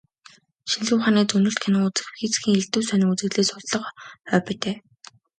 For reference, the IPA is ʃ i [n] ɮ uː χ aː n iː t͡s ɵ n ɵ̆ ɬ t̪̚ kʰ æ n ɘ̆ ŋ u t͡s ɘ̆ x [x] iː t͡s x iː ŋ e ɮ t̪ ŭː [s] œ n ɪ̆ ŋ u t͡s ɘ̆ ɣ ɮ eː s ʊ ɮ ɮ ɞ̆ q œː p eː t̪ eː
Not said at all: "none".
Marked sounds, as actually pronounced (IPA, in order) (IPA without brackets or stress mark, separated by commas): n, x, s